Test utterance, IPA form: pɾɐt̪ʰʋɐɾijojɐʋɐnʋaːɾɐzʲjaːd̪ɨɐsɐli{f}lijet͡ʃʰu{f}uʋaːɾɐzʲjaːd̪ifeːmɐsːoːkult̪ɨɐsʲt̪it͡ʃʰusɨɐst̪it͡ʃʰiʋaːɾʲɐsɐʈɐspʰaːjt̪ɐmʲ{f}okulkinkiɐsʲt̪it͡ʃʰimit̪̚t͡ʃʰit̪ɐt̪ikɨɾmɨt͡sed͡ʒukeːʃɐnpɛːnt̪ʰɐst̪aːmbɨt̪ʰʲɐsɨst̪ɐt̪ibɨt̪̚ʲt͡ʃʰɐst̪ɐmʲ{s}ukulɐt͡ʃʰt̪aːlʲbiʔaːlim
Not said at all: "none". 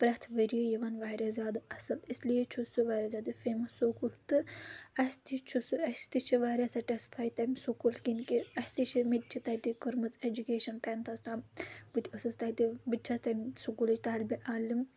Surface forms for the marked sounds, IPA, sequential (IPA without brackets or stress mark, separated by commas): s, s, s, s